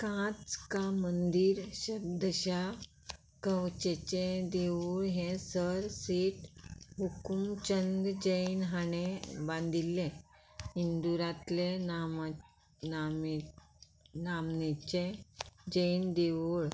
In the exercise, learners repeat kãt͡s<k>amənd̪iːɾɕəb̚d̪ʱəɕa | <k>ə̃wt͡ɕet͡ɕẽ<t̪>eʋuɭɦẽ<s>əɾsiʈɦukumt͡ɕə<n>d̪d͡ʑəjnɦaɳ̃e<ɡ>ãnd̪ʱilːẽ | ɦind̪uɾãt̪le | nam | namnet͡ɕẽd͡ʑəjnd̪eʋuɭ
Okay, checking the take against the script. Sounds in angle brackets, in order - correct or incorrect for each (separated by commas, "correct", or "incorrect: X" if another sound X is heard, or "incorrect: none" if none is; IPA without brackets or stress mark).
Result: correct, correct, incorrect: d̪, correct, correct, incorrect: b